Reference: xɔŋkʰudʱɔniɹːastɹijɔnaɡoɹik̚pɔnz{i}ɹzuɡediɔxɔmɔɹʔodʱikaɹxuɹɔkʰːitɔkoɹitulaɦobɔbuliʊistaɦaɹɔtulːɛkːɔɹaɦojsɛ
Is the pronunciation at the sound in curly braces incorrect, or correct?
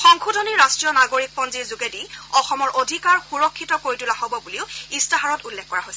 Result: correct